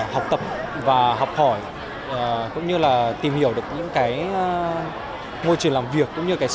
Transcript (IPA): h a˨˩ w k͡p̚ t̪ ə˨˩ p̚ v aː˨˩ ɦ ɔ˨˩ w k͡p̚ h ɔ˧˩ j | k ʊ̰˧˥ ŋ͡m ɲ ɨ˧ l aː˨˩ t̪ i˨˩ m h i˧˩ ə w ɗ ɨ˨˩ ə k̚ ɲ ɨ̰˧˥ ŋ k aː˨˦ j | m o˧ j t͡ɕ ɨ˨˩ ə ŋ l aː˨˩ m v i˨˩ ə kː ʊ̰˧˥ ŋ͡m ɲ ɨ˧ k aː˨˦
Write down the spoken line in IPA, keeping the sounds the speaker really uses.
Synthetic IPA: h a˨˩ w k͡p̚ t̪ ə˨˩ p̚ v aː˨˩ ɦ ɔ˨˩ w k͡p̚ h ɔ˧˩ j | k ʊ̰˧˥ ŋ͡m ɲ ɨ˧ l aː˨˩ t̪ i˨˩ m h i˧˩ ə w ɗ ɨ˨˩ ə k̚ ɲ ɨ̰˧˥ ŋ k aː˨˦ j | m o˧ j t͡ɕ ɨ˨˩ ə ŋ l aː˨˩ m v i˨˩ ə kː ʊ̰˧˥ ŋ͡m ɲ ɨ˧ k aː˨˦